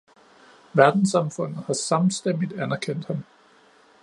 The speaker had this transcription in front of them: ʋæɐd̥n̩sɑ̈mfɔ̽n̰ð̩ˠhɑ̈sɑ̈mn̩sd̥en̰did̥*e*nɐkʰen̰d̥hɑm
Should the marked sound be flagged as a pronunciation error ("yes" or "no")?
yes